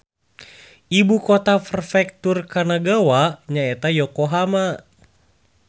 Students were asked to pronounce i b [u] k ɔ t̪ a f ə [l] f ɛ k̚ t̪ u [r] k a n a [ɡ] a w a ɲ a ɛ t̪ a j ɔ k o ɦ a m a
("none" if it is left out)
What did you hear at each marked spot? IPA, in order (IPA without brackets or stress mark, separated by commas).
u, r, r, ɡ